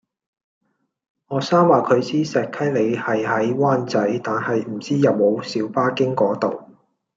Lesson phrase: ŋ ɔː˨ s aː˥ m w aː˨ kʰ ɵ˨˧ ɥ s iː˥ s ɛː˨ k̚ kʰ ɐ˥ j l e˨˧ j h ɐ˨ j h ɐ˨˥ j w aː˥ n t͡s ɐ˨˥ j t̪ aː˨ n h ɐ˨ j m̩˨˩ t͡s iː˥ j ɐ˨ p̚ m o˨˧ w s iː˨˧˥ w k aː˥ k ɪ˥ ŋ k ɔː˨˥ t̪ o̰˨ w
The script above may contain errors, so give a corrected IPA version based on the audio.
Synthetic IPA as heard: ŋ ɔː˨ s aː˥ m w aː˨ kʰ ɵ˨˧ ɥ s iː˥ s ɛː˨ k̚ kʰ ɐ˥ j l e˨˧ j h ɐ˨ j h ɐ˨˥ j w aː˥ n t͡s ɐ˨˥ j t̪ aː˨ n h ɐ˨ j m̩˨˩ t͡s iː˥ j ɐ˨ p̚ m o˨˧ w s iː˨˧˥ w p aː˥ k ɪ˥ ŋ k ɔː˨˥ t̪ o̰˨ w